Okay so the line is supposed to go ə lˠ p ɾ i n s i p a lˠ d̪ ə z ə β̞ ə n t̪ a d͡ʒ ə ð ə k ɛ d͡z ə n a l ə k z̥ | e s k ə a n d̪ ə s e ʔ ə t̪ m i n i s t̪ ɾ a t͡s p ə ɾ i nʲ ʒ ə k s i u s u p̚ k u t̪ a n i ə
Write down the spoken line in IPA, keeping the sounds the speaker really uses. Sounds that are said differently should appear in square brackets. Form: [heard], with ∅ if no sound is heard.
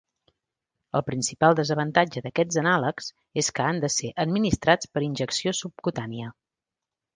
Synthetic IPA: ə lˠ p ɾ i n s i p a lˠ d̪ ə z ə β̞ ə n t̪ a d͡ʒ ə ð ə k ɛ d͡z ə n a l ə k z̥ | e s k ə a n d̪ ə s e ʔ ə [d̪] m i n i s t̪ ɾ a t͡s p ə ɾ i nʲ ʒ ə k s i [o] s u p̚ k u t̪ a n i ə

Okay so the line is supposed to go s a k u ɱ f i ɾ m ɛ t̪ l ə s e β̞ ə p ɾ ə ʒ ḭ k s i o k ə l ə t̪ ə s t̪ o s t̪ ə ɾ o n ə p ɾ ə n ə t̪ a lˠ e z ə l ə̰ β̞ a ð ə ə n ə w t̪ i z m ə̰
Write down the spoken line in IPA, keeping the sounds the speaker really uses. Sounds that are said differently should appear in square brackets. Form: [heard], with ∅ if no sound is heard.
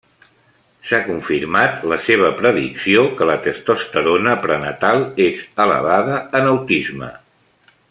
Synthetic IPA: s a k u ɱ f i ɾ m [a] t̪ l ə s e β̞ ə p ɾ ə [ð] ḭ k s i o k ə l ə t̪ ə s t̪ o s t̪ ə ɾ o n ə p ɾ ə n ə t̪ a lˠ e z ə l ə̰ β̞ a ð ə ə n ə w t̪ i z m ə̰

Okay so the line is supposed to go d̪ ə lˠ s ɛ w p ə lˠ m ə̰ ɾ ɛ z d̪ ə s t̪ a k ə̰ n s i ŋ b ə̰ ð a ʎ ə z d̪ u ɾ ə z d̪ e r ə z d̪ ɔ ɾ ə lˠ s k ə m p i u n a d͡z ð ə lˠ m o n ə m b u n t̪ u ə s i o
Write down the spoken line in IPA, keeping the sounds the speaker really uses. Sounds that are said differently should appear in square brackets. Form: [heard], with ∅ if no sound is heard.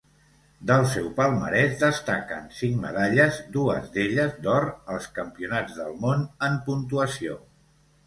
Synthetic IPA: d̪ ə lˠ s ɛ w p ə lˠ m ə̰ ɾ ɛ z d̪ ə s t̪ a k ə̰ n s i ŋ [m] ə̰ ð a ʎ ə z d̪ u [∅] ə z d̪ e [ʎ] ə z d̪ ɔ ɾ ə lˠ s k ə m p i u n a d͡z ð ə lˠ m o n ə m [p] u n t̪ u ə s i o

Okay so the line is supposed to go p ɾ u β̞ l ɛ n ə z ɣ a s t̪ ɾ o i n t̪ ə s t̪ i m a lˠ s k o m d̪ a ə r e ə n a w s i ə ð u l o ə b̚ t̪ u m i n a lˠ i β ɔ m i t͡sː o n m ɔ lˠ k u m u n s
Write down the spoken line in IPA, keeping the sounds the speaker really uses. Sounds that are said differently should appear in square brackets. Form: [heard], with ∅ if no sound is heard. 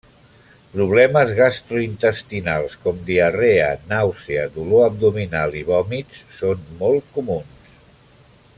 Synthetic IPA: p ɾ u β̞ l ɛ [m] ə z ɣ a s t̪ ɾ [u] i n t̪ ə s t̪ i [n] a lˠ s k [ɔ] m d̪ [i] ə r e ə n a w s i ə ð u l o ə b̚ [d̪] u m i n a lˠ i β ɔ m i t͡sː o n m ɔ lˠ k u m u n s

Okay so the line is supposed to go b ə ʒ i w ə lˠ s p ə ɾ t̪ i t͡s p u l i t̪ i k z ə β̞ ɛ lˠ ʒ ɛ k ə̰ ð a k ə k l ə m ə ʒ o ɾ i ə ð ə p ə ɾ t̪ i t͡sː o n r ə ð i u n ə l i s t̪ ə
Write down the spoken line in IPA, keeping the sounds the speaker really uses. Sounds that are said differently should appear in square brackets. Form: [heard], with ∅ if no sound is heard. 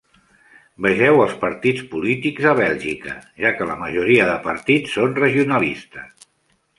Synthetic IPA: b ə ʒ [ɛ] w ə lˠ s p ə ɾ t̪ i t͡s p u l i t̪ i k z ə β̞ ɛ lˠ ʒ [i] k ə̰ [ʒ] a k ə [∅] l ə m ə ʒ [u] ɾ i ə ð ə p ə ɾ t̪ i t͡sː o n r ə [ʒ] i u n ə l i s t̪ ə

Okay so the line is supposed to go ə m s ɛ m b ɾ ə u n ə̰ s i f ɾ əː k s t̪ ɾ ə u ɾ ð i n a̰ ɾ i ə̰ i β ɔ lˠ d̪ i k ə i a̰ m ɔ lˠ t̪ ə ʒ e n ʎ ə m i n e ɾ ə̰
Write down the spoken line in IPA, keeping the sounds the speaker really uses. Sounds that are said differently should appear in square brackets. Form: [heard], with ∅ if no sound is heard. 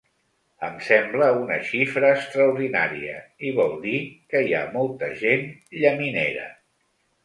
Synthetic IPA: ə m s ɛ m b [l] ə u n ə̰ [ʃ] i f ɾ əː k s t̪ ɾ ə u ɾ ð i n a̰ ɾ i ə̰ i β ɔ lˠ d̪ i k ə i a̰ m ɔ lˠ t̪ ə ʒ e n ʎ ə m i n e ɾ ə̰

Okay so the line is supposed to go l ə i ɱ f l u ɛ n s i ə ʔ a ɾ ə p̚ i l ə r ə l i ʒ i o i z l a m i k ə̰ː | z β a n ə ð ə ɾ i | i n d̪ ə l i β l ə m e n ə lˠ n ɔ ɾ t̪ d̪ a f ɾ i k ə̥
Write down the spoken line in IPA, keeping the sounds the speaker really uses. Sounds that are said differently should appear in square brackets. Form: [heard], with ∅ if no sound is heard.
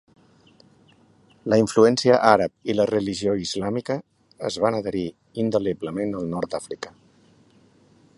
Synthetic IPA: l ə i ɱ f l u ɛ n s i ə ʔ a ɾ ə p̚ i l ə r ə l i ʒ i o i z l a m i k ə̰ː | z β a n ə ð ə ɾ i | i n d̪ ə l i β l ə m e n ə lˠ n ɔ ɾ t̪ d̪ a f ɾ i k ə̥

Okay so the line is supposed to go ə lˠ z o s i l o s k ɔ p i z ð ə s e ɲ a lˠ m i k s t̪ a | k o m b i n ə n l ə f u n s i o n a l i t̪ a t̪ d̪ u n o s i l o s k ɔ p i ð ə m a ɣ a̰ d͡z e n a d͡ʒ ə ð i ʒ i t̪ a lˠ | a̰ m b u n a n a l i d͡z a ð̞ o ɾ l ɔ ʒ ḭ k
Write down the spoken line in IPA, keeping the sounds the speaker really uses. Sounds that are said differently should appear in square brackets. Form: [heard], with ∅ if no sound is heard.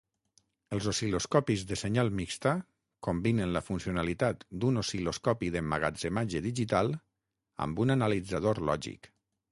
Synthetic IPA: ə lˠ z o s i l o s k ɔ p i z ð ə s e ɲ a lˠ m i k s t̪ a | k o m b i n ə n l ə f u n s i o n a l i t̪ a t̪ d̪ u n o s i l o s k ɔ p i ð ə m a ɣ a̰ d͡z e [m] a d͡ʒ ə ð i ʒ i t̪ a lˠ | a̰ m b u n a n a l i d͡z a ð̞ o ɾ l ɔ ʒ ḭ k

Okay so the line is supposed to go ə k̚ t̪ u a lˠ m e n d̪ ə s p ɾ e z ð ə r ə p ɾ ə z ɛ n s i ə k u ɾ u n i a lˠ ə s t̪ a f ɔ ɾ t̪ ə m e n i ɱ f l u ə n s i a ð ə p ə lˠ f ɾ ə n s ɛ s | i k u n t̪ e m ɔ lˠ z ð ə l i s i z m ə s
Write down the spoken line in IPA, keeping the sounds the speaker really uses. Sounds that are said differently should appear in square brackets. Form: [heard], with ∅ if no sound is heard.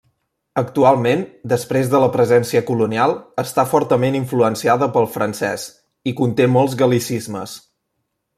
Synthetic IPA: ə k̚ t̪ u a lˠ m e n d̪ ə s p ɾ e z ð ə [l] ə p ɾ ə z ɛ n s i ə k u [l] u n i a lˠ ə s t̪ a f ɔ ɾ t̪ ə m e n i ɱ f l u ə n s i a ð ə p ə lˠ f ɾ ə n s ɛ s | i k u n t̪ e m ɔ lˠ z [ɣ] ə l i s i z m ə s

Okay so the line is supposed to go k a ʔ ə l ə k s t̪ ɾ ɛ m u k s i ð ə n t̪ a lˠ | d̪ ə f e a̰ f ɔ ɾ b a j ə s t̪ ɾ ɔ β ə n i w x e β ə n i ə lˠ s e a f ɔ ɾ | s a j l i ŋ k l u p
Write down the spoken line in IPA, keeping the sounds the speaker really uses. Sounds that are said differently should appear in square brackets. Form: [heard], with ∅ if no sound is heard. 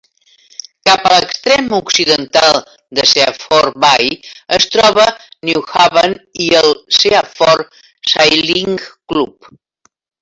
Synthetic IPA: k a [p] ə l ə k s t̪ ɾ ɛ m u k s i ð ə n t̪ a lˠ | d̪ ə [s] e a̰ f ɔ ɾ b a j ə s t̪ ɾ ɔ β ə n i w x [a] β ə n i ə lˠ s e a f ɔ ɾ | s a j l i ŋ k l u p

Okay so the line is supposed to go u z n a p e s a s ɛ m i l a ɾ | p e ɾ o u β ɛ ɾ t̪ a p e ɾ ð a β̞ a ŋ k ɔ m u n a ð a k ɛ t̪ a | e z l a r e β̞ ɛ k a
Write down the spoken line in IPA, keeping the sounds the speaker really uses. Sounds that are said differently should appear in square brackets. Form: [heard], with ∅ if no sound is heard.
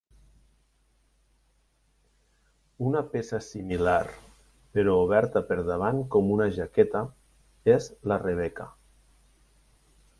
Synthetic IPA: u [∅] n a p e s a s [i] m i l a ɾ | p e ɾ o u β ɛ ɾ t̪ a p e ɾ ð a β̞ a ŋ k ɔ m u n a [ʒ] a k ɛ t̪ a | e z l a r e β̞ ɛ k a

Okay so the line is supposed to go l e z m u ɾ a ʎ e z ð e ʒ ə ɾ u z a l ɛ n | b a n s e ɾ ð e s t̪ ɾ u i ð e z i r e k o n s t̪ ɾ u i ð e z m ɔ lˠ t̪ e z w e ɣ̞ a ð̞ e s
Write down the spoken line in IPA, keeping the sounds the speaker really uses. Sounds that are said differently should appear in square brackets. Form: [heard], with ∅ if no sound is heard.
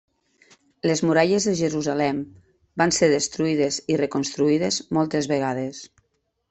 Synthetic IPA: l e z m u ɾ a ʎ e z ð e ʒ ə ɾ u z a l ɛ [m] | b a n s e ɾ ð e s t̪ ɾ u i ð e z i r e k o n s t̪ ɾ u i ð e z m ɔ lˠ t̪ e z [β] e ɣ̞ a ð̞ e s

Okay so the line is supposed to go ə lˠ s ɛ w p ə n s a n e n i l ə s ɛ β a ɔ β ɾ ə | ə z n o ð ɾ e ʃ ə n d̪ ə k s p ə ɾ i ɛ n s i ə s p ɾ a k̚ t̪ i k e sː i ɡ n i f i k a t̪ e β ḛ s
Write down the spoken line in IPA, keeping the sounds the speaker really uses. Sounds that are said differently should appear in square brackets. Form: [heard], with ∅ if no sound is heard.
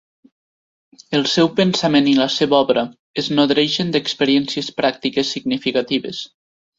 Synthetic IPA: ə lˠ s ɛ w p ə n s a [m] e n i l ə s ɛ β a ɔ β ɾ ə | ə z n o ð ɾ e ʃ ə n d̪ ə k s p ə ɾ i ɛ n s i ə s p ɾ a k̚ t̪ i k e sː i ɡ n i f i k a t̪ [i] β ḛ s

